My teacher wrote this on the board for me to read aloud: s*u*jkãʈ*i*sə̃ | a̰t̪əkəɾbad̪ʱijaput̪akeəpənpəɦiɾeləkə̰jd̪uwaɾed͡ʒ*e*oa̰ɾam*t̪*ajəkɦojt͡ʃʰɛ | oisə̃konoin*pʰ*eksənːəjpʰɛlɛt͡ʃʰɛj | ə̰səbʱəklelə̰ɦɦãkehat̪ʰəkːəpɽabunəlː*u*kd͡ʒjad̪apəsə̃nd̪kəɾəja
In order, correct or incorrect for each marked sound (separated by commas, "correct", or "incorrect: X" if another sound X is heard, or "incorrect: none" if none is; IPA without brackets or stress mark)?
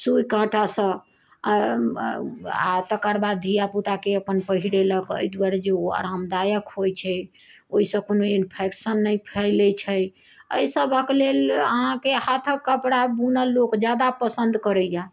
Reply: correct, incorrect: a, correct, incorrect: d̪, correct, incorrect: o